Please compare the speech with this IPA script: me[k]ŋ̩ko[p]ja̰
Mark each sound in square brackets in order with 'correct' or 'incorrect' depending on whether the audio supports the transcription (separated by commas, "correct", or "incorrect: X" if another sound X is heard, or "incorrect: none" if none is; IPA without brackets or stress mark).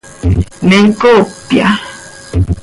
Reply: incorrect: none, correct